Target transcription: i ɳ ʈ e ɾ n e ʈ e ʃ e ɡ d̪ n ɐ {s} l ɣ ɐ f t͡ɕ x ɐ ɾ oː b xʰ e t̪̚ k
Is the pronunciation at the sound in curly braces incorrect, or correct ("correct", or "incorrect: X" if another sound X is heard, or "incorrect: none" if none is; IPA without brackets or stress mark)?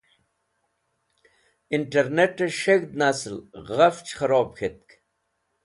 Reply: correct